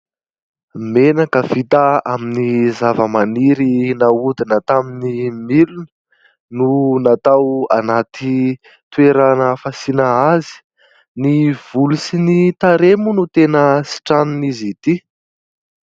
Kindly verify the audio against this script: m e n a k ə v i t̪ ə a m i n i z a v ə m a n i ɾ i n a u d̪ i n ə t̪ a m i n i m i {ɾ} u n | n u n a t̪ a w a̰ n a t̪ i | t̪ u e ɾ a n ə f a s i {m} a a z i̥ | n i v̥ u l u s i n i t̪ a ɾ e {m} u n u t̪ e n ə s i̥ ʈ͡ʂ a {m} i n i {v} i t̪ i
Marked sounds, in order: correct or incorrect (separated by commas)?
incorrect, incorrect, correct, incorrect, incorrect